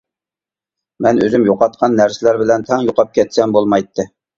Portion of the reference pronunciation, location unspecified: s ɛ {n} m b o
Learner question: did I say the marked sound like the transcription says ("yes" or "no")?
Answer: no